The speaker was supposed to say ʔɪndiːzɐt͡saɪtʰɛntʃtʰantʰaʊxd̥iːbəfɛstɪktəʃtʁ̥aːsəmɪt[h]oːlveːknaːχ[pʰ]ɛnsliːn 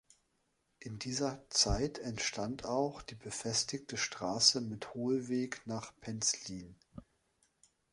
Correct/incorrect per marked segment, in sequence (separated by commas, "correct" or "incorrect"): correct, correct